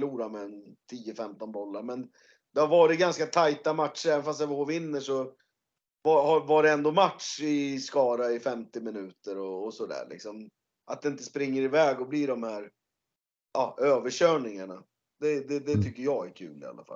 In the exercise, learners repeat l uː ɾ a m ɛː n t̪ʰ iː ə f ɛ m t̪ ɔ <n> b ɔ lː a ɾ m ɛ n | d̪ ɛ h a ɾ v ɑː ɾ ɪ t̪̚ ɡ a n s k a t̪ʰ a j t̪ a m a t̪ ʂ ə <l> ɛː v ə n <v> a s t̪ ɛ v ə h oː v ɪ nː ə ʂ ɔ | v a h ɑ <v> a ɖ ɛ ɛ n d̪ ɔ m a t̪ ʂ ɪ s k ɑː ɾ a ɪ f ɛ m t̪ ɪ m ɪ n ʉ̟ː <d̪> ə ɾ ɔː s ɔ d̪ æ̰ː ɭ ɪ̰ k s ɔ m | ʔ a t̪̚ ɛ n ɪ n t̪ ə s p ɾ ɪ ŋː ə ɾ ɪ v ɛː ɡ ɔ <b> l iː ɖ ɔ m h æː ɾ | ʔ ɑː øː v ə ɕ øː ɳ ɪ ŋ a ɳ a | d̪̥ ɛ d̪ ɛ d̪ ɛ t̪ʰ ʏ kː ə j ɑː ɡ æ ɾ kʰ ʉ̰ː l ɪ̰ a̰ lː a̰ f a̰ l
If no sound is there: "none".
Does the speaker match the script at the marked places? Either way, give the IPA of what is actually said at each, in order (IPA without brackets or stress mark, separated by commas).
n, ɾ, f, v, t̪, b